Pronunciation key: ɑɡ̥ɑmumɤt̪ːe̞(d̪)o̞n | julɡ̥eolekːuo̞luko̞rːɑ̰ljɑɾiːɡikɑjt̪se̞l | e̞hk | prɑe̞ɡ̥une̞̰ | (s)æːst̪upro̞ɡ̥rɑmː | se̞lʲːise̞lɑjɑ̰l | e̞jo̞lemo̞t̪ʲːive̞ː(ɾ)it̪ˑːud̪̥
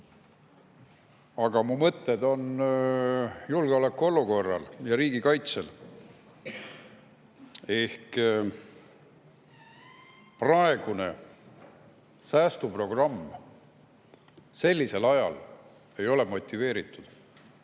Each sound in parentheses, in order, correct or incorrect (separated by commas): correct, correct, correct